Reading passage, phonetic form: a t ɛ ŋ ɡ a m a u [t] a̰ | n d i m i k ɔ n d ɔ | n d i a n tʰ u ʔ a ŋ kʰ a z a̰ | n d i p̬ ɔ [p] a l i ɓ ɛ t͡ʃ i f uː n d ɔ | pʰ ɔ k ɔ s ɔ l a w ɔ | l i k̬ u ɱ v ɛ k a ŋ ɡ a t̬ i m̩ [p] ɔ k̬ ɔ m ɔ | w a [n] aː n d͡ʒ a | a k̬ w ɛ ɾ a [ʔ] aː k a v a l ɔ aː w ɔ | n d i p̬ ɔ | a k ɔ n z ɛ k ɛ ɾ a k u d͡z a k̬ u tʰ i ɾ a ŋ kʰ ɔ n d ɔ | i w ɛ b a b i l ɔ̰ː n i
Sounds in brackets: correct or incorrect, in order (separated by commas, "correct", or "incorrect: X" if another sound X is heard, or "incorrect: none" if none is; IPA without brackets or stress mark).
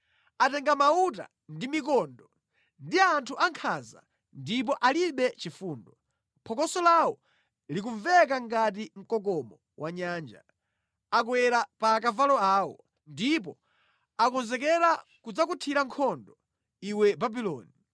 correct, incorrect: ʔ, incorrect: k, incorrect: ɲ, incorrect: p